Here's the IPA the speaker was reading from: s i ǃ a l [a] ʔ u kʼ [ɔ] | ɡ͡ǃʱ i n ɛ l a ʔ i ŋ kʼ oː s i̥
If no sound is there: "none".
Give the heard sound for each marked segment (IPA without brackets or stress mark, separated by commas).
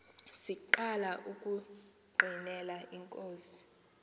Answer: a, u